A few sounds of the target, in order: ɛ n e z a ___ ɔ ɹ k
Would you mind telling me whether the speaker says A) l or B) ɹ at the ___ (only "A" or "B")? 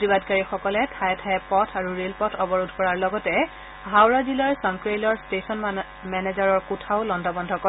B